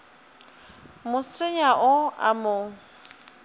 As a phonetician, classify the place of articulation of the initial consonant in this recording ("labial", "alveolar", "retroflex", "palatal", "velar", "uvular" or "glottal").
labial